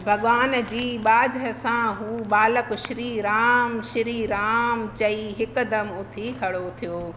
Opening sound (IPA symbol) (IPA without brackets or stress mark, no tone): bʱ